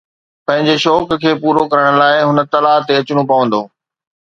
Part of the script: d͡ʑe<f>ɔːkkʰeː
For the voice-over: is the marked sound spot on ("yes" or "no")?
no